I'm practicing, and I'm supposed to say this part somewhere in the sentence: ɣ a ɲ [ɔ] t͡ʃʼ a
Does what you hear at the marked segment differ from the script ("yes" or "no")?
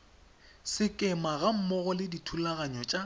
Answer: no